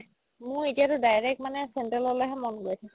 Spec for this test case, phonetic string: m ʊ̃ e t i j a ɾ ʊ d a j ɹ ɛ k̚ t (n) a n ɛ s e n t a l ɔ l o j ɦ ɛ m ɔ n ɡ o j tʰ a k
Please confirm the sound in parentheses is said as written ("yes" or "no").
no